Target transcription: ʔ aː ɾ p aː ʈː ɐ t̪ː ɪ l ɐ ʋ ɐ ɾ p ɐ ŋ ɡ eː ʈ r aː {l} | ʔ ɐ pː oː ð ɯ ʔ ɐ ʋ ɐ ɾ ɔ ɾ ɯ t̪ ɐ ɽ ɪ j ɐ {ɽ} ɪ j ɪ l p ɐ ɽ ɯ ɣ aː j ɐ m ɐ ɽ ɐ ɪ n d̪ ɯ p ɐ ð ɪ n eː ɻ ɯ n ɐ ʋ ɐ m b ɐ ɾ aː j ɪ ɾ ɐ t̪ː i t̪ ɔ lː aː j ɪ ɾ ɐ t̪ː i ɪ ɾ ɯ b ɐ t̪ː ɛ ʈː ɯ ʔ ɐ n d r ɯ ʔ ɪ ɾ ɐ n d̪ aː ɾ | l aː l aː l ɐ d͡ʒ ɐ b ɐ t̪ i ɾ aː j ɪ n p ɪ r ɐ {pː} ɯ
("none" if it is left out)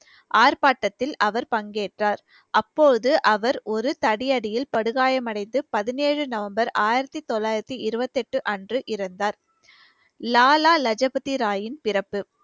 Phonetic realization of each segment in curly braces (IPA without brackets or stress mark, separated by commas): ɾ, ɽ, pː